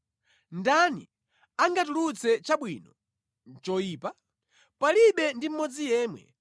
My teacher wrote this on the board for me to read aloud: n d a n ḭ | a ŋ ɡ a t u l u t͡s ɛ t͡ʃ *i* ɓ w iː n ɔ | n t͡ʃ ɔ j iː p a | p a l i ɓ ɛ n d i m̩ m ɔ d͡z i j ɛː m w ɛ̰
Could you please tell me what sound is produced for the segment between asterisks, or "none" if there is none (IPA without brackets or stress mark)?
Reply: a